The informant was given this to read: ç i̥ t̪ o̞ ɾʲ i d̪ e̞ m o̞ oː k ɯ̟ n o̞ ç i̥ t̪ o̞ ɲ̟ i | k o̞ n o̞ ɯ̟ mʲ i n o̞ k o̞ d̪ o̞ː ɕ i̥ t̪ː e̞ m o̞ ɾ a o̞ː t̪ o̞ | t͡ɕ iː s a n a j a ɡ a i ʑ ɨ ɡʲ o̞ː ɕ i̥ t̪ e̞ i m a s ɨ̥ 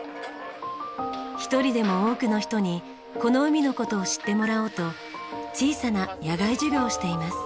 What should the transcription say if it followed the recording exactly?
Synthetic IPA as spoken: ç i̥ t̪ o̞ ɾʲ i d̪ e̞ m o̞ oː k ɯ̟ n o̞ ç i̥ t̪ o̞ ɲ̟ i | k o̞ n o̞ ɯ̟ mʲ i n o̞ k o̞ t̪ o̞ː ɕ i̥ t̪ː e̞ m o̞ ɾ a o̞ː t̪ o̞ | t͡ɕ iː s a n a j a ɡ a i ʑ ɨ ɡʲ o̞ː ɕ i̥ t̪ e̞ i m a s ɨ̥